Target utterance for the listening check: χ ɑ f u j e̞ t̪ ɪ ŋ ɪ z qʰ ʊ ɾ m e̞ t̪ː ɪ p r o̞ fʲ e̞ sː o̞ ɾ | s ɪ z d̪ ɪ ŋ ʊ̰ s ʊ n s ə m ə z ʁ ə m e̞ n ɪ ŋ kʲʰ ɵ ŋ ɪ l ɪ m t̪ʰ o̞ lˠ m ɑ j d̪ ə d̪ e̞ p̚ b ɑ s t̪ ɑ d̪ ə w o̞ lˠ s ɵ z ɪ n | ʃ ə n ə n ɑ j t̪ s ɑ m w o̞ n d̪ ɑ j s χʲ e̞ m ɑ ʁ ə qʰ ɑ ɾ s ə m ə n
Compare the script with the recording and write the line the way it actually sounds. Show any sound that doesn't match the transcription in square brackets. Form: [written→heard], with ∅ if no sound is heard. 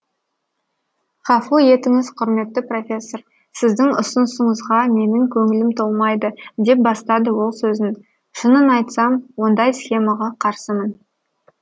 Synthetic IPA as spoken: χ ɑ f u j e̞ t̪ ɪ ŋ ɪ z qʰ ʊ ɾ m e̞ t̪ː ɪ p r o̞ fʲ e̞ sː o̞ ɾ | s ɪ z d̪ ɪ ŋ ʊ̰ s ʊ n s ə [m→ɴ] ə z ʁ [ə→ɑ] m e̞ n ɪ ŋ kʲʰ ɵ ŋ ɪ l ɪ m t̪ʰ o̞ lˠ m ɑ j d̪ ə d̪ e̞ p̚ b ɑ s t̪ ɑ d̪ ə w o̞ lˠ s ɵ z ɪ n | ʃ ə n ə n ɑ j t̪ s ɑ m w o̞ n d̪ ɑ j s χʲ e̞ m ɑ ʁ [ə→ɑ] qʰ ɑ ɾ s ə m ə n